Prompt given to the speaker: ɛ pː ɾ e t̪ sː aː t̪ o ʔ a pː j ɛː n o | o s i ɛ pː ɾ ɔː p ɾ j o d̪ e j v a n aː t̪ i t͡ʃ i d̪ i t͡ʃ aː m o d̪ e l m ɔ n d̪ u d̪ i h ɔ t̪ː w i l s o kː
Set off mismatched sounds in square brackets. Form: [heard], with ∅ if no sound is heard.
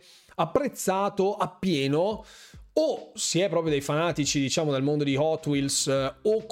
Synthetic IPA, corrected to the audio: [a] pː ɾ e t̪ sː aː t̪ o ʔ a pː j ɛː n o | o s i ɛ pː ɾ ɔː p ɾ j o d̪ e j [f] a n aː t̪ i t͡ʃ i d̪ i t͡ʃ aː m o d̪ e l m [o] n d̪ [o] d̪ i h ɔ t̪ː w i l s o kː